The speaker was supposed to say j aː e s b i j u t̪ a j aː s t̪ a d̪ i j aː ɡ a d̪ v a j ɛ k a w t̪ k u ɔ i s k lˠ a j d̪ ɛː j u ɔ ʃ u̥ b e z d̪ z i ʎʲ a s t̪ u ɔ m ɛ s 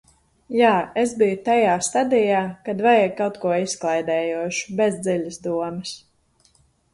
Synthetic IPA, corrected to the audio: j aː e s b i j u t̪ a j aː s t̪ a d̪ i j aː k a d̪ v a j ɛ k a w t̪ k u ɔ i s k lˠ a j d̪ ɛː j u ɔ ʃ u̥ b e z d̪ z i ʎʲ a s d̪ u ɔ m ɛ s